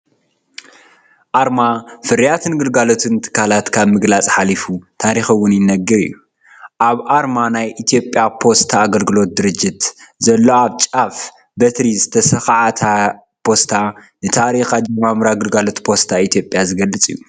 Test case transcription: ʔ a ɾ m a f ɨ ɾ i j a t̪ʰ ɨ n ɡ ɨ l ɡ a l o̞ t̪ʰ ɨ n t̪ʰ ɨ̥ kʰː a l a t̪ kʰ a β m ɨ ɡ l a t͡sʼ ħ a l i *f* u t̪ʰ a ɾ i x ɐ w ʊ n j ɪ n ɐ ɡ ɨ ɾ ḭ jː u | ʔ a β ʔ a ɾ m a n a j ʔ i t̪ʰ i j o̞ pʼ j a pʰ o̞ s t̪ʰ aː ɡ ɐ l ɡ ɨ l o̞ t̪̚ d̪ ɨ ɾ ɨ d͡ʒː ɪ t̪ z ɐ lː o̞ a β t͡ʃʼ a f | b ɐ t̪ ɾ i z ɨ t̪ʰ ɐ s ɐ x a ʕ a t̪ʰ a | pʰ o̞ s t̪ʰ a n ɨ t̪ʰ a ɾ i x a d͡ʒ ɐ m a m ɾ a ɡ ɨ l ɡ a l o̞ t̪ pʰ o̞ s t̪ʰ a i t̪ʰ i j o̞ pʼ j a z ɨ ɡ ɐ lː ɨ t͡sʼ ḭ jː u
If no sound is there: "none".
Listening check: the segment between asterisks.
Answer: f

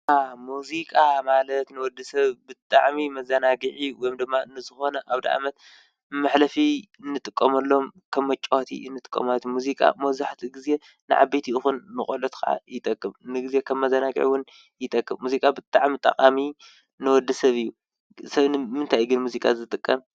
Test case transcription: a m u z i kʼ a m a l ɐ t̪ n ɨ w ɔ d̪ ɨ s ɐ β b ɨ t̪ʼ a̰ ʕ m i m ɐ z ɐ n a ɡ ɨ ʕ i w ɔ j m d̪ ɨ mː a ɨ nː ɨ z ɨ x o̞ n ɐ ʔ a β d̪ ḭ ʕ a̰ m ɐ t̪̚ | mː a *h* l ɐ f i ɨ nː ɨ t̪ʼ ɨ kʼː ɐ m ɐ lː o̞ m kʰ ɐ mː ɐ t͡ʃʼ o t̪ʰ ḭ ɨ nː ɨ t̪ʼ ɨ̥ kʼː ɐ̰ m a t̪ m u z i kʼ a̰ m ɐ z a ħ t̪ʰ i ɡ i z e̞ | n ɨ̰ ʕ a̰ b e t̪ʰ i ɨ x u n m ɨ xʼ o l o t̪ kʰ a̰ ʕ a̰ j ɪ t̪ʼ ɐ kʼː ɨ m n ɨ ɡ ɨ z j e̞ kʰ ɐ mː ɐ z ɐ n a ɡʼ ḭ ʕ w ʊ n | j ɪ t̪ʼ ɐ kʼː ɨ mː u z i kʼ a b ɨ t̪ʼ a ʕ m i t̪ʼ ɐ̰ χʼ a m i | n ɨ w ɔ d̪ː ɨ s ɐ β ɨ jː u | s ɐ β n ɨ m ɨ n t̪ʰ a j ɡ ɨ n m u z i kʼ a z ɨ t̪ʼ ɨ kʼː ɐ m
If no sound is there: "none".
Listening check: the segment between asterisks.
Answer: ħ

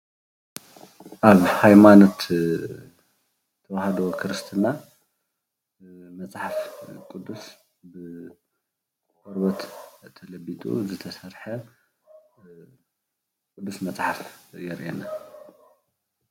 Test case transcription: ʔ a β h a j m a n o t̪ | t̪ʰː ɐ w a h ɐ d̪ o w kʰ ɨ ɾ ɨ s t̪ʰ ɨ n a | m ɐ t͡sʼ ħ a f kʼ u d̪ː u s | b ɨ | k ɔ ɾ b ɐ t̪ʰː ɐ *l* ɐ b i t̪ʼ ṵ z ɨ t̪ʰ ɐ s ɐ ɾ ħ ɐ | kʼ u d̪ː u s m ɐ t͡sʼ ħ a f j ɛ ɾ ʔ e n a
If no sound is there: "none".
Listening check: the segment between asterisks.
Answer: l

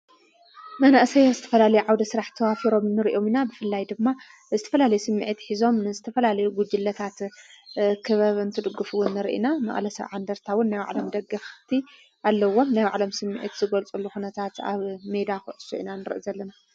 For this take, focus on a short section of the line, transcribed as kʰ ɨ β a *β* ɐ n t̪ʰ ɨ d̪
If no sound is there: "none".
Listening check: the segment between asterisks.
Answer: β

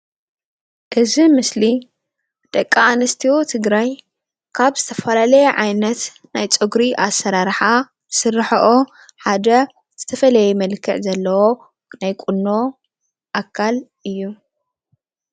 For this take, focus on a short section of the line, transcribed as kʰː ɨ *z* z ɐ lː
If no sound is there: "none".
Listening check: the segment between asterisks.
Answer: ʕ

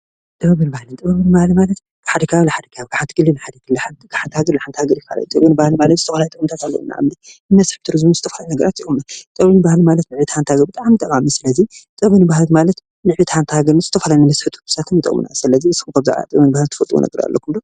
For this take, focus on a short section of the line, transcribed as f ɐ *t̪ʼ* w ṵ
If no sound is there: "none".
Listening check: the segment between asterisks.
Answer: t̪ʼ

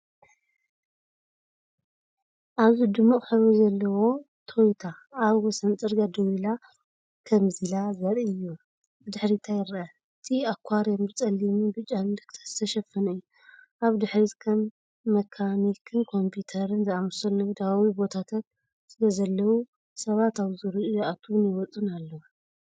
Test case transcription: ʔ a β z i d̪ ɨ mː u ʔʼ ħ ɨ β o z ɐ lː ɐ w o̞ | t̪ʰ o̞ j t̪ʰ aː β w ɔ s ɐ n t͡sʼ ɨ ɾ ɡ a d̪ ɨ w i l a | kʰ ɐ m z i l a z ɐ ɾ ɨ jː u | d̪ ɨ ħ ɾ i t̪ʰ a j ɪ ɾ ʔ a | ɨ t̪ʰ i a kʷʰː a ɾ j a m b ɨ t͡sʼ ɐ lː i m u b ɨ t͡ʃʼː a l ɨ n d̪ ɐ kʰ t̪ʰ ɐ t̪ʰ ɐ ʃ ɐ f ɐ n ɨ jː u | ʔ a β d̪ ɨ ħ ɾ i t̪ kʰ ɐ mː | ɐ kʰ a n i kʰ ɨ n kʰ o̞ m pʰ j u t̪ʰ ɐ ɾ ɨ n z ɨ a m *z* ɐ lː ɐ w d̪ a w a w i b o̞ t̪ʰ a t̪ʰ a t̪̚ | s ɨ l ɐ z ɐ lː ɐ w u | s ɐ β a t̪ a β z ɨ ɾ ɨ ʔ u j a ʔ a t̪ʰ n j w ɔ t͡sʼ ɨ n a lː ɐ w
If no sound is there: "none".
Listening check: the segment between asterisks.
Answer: s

